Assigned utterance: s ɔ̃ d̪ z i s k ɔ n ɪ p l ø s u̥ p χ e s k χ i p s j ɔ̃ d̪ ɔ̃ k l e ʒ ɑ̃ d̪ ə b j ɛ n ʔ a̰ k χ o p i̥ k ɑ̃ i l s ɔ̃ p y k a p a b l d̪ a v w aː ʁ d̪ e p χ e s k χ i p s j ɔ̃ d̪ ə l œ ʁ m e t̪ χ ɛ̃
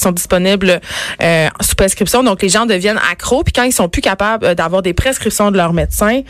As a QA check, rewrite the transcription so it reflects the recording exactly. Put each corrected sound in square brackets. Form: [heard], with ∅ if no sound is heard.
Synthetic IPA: s ɔ̃ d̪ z i s [p] ɔ n ɪ [b] l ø s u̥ p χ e s k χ i p s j ɔ̃ d̪ ɔ̃ k l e ʒ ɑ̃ d̪ ə [v] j ɛ n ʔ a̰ k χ o p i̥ k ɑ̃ i l s ɔ̃ p y k a p a b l d̪ a v w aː ʁ d̪ e p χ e s k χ i p s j ɔ̃ d̪ ə l œ ʁ m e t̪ [s] ɛ̃